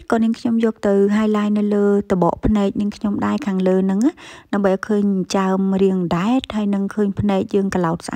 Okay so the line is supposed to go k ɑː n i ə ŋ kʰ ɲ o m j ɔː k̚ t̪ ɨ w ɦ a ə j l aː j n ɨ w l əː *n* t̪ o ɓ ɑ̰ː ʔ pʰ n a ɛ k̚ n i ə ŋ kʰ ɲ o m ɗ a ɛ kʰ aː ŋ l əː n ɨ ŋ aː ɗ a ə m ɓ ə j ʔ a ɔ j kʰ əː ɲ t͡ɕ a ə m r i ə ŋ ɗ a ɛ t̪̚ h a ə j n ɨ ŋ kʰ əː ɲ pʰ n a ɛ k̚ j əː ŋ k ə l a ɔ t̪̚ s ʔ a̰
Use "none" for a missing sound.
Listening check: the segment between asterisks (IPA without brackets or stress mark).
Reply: none